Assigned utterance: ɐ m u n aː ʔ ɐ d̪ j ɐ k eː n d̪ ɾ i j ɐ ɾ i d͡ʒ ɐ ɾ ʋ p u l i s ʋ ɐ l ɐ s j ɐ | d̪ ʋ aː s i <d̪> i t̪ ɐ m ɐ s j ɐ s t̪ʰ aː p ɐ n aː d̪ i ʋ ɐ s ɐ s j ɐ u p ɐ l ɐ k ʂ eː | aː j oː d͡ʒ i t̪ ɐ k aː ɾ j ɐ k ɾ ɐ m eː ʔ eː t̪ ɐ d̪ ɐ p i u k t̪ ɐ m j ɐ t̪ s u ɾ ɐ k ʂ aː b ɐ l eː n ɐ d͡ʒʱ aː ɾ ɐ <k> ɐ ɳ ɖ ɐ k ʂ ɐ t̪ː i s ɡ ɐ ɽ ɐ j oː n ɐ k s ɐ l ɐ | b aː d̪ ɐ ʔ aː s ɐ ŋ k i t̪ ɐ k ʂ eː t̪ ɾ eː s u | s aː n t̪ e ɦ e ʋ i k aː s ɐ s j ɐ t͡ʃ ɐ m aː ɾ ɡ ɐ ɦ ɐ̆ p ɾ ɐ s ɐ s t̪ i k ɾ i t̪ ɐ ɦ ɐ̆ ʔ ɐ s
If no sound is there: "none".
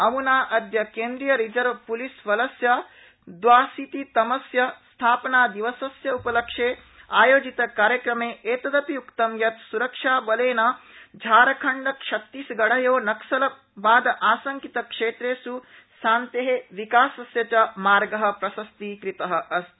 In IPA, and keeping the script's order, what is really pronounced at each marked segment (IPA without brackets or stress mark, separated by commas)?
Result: t̪, kʰ